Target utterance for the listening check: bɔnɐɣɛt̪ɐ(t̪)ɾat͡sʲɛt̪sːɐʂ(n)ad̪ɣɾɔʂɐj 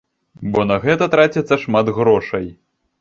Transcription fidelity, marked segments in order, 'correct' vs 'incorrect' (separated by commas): correct, incorrect